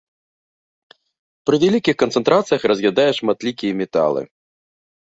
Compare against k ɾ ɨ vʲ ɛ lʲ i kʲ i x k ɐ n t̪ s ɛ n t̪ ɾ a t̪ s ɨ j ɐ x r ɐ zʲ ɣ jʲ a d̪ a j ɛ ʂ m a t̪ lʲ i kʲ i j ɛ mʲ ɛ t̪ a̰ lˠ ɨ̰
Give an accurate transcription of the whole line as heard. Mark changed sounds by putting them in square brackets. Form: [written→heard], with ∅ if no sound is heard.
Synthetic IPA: [k→p] ɾ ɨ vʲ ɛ lʲ i kʲ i x k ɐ n t̪ s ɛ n t̪ ɾ a t̪ s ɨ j ɐ x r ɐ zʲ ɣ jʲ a d̪ a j ɛ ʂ m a t̪ lʲ i kʲ i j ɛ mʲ ɛ t̪ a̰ lˠ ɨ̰